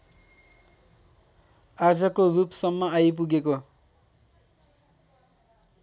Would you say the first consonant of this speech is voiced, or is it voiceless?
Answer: voiced